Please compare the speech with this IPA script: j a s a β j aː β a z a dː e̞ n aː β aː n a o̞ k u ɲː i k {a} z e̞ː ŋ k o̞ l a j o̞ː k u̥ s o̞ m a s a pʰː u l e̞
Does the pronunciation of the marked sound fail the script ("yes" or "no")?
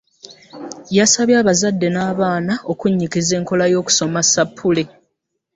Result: yes